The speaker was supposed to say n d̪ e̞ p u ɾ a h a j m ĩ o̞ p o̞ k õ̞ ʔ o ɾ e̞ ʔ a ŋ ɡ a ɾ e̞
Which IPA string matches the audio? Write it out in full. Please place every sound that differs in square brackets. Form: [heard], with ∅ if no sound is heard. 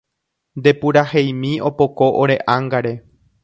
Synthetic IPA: n d̪ e̞ p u ɾ a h [e] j m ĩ o̞ p o̞ k [o̞] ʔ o ɾ e̞ ʔ a ŋ ɡ a ɾ e̞